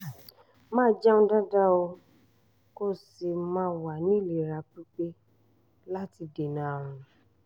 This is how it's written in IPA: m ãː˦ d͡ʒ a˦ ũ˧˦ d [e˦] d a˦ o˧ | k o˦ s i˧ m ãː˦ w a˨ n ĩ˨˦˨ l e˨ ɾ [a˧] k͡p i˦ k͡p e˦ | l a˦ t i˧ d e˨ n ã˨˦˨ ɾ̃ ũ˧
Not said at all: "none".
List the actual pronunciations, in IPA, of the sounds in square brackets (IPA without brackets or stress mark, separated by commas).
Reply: a˦, a˧